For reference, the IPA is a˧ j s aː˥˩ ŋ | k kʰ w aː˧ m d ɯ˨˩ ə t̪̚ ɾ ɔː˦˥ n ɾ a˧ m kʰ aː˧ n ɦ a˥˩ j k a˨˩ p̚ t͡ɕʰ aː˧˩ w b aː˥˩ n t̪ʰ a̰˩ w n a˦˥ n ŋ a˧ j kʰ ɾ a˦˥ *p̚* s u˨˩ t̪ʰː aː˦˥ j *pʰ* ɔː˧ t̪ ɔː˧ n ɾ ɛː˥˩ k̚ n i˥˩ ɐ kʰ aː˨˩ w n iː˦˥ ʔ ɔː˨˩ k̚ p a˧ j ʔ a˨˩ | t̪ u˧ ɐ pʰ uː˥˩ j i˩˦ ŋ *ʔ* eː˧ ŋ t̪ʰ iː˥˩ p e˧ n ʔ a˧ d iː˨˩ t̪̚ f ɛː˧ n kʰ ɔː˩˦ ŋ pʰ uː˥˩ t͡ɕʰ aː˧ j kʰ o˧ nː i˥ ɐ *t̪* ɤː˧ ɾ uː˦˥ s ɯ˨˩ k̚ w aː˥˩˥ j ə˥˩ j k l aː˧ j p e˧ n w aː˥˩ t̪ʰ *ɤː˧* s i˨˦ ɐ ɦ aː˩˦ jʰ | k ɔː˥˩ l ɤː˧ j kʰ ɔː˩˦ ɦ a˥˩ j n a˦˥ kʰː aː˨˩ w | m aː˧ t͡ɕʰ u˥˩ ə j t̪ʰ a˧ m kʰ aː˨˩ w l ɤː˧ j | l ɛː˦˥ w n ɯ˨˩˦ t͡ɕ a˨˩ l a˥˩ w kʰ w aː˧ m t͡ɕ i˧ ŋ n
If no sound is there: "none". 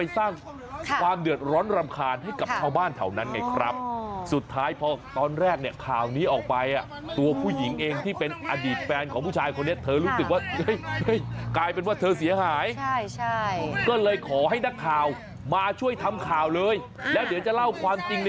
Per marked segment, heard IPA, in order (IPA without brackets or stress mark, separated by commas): p̚, pʰ, ʔ, t̪ʰ, ɤː˧